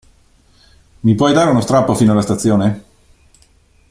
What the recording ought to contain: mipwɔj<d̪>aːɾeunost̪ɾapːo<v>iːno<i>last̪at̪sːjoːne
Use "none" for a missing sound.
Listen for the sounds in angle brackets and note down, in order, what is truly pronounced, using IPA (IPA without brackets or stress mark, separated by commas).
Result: d̪, f, a